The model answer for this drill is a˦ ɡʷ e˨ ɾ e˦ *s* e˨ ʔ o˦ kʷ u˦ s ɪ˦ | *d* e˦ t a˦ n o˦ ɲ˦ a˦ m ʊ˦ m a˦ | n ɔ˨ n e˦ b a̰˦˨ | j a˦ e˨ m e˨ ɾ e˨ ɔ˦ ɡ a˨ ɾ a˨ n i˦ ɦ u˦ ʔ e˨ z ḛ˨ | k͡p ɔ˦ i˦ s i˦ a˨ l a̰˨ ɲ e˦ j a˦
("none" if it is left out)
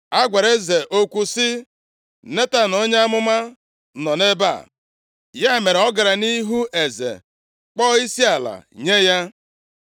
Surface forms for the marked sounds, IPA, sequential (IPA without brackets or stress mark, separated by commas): z, n